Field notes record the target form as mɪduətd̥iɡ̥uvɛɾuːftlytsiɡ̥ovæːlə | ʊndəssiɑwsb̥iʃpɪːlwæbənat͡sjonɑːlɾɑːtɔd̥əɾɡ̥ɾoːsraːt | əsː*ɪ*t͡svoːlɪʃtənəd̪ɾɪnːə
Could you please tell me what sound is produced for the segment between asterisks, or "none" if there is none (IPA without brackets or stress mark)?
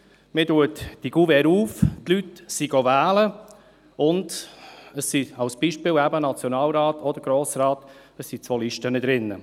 i